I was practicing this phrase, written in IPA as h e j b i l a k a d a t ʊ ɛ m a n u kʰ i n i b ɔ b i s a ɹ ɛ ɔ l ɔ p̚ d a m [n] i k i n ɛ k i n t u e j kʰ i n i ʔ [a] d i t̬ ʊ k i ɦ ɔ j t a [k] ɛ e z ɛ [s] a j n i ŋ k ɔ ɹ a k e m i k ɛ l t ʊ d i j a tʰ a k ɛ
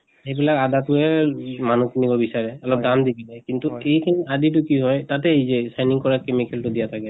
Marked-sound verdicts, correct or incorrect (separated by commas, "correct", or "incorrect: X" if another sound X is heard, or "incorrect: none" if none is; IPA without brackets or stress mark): incorrect: d, correct, incorrect: t, correct